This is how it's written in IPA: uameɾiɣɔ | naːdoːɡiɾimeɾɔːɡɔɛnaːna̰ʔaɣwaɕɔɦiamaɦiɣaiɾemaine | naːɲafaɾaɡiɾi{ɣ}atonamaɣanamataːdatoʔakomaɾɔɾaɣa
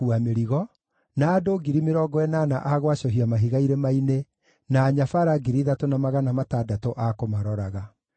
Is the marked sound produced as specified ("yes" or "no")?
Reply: no